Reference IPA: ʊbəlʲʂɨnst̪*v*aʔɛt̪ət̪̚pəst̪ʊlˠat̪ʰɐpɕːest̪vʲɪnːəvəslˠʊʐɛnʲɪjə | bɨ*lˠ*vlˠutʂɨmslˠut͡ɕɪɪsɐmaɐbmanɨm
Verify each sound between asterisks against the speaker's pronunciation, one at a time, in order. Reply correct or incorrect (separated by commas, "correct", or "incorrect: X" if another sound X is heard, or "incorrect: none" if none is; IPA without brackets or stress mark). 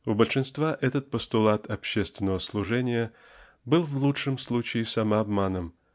correct, correct